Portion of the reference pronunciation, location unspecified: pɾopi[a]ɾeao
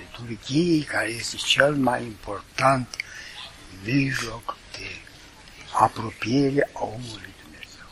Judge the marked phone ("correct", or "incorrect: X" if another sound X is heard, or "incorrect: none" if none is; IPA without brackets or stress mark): incorrect: e